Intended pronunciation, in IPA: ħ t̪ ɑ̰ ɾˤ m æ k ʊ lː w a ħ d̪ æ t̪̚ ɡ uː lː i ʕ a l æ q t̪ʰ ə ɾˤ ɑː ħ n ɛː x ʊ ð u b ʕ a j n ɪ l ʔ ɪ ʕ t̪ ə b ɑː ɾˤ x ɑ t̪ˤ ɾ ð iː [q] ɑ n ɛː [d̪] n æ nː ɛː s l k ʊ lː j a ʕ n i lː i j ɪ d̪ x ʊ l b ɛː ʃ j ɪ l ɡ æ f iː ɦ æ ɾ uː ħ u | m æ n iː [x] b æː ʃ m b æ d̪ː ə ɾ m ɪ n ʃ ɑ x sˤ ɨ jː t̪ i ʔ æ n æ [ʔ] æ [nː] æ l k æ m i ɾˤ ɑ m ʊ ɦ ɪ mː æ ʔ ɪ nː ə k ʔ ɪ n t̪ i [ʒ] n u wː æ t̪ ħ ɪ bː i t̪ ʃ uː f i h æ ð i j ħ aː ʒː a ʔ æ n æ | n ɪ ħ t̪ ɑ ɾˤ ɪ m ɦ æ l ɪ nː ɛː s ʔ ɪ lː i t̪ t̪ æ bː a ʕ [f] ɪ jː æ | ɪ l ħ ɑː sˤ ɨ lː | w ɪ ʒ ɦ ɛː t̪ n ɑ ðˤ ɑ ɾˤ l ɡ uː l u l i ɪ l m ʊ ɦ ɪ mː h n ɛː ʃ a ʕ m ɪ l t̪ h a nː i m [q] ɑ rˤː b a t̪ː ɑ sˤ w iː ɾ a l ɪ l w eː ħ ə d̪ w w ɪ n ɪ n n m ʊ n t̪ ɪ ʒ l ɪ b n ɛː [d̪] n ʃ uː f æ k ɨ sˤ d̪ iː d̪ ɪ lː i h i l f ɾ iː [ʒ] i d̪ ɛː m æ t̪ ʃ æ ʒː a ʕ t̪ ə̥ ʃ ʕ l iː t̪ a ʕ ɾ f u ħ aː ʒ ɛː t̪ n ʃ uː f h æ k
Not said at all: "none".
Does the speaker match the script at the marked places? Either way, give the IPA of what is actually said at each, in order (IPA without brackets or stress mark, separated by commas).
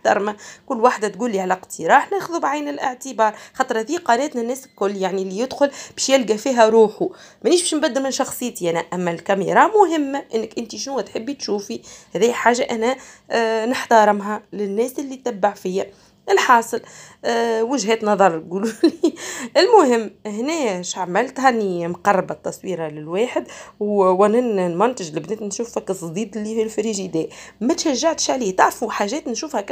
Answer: q, t̪, ʃ, ʔ, mː, ʃ, f, q, t̪, ʒ